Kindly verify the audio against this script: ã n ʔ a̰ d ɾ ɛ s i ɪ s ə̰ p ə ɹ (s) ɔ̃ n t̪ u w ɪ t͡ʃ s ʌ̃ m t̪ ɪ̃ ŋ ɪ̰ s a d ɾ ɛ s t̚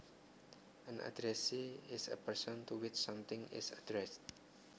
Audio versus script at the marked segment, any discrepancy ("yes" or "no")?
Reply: no